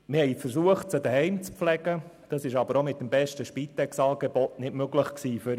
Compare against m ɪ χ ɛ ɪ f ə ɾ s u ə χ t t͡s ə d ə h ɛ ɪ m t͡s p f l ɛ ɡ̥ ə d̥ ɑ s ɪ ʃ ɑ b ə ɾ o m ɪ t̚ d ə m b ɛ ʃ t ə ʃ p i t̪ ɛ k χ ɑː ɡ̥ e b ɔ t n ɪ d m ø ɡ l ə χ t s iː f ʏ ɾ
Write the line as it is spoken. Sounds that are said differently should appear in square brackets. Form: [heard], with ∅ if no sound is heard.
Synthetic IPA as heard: m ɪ [h] ɛ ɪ f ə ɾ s u ə χ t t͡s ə d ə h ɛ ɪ m t͡s p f l ɛ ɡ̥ ə d̥ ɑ s ɪ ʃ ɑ b ə ɾ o m ɪ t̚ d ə m b ɛ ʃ t ə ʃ p i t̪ ɛ k [s] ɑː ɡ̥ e b ɔ t n ɪ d m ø ɡ l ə χ [k] s iː f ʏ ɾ